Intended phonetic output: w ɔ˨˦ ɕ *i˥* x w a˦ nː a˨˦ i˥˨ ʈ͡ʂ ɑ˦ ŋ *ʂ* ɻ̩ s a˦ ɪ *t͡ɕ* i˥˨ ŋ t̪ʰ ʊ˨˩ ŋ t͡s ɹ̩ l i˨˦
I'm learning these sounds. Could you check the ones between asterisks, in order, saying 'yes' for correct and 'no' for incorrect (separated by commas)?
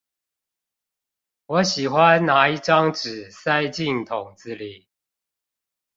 no, no, yes